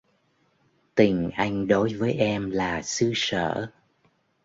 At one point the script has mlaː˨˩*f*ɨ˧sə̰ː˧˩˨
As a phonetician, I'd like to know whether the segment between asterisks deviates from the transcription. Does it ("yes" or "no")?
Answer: yes